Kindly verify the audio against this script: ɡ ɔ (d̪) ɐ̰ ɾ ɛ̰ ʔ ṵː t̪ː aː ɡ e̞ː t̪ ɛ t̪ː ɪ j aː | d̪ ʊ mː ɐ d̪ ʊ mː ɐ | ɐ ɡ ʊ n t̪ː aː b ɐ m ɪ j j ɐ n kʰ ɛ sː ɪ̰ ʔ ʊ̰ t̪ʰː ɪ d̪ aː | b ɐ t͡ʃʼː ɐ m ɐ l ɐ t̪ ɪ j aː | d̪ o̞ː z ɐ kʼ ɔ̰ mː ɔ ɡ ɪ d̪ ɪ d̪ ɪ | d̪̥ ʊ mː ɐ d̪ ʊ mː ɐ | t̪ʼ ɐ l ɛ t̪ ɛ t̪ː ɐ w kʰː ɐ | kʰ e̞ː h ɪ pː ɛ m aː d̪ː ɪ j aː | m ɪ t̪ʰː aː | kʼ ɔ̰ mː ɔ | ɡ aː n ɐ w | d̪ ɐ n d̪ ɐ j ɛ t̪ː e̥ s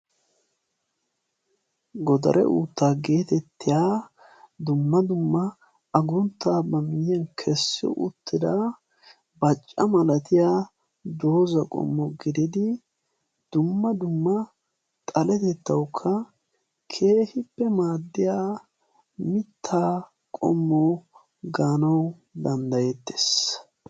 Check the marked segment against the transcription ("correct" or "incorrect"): correct